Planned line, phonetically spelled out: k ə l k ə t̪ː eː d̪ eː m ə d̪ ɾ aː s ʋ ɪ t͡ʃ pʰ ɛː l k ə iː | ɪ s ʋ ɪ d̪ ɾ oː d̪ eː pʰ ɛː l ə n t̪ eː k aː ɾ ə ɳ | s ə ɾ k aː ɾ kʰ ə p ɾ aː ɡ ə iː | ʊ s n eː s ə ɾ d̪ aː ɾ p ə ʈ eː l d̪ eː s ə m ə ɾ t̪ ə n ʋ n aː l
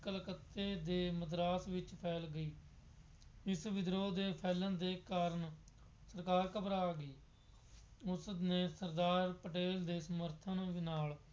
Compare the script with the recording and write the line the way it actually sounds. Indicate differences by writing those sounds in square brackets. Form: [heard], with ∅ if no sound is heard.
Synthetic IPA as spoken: k ə l k ə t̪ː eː d̪ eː m ə d̪ ɾ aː s ʋ ɪ t͡ʃ pʰ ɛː l [ɡ] ə iː | ɪ s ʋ ɪ d̪ ɾ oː d̪ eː pʰ ɛː l ə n [d̪] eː k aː ɾ ə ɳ | s ə ɾ k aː ɾ [k] ə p ɾ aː ɡ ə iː | ʊ s n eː s ə ɾ d̪ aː ɾ p ə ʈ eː l d̪ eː s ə m ə ɾ [t̪ʰ] ə n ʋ n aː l